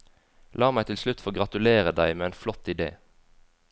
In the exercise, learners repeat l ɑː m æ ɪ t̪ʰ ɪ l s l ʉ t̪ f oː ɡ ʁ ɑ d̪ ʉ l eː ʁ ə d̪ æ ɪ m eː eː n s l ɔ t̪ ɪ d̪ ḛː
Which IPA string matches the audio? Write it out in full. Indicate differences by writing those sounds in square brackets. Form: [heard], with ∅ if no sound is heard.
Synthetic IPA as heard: l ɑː m æ ɪ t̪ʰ ɪ l s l ʉ t̪ f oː ɡ ʁ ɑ [t̪] ʉ l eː ʁ ə d̪ æ ɪ m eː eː n [f] l ɔ t̪ ɪ d̪ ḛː